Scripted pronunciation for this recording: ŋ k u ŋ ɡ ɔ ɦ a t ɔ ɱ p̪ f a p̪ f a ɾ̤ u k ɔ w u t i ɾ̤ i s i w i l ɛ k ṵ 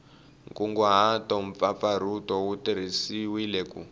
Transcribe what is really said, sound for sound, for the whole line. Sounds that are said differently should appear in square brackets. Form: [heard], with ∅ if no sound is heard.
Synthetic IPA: ŋ k u ŋ ɡ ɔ ɦ a t ɔ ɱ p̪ f a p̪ f a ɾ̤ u [t] ɔ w u t i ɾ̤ i s i w i l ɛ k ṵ